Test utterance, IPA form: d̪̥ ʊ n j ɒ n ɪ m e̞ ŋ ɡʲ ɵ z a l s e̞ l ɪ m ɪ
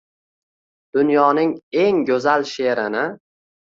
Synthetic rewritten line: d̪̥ ʊ n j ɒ n ɪ ŋ e̞ ŋ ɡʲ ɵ z a l ʃ e̞ ɾ ɪ n ɪ